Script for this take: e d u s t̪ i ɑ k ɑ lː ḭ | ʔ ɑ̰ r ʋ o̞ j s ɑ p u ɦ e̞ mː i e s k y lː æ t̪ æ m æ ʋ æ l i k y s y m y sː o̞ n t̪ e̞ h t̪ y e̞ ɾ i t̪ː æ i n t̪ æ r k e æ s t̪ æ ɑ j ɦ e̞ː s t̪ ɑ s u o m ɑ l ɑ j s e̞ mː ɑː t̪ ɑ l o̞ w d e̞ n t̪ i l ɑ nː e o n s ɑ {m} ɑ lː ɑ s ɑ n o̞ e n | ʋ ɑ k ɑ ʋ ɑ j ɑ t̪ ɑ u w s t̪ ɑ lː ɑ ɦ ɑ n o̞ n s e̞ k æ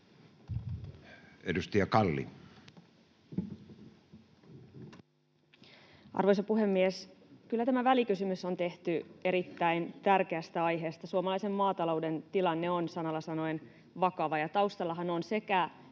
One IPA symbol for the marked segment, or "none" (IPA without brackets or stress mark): n